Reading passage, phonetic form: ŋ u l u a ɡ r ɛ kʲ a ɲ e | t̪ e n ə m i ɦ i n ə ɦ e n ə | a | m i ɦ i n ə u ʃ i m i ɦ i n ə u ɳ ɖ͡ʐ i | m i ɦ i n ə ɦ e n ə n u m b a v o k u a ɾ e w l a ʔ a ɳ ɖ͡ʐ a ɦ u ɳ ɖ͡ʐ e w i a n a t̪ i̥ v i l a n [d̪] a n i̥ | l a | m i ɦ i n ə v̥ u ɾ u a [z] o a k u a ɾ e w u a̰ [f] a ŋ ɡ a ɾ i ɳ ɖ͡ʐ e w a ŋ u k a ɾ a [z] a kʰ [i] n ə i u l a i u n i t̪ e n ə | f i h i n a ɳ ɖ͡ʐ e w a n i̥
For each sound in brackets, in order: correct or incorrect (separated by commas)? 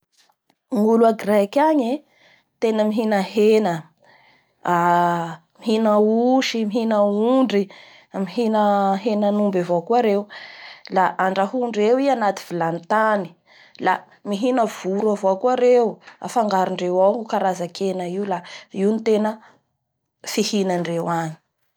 incorrect, incorrect, correct, correct, incorrect